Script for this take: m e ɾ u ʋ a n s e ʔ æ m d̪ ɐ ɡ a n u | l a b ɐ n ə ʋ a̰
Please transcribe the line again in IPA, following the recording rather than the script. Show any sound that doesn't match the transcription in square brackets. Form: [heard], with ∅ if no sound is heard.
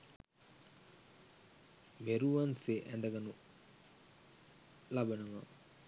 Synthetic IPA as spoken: m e ɾ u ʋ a n s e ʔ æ [n] d̪ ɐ ɡ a n u | l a b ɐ n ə ʋ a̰